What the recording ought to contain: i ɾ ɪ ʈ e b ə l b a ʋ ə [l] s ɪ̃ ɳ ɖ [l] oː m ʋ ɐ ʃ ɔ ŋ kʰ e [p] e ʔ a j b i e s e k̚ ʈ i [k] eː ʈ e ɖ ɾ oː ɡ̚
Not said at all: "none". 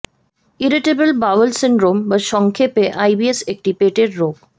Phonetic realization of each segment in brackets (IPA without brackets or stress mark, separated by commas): l, ɾ, p, p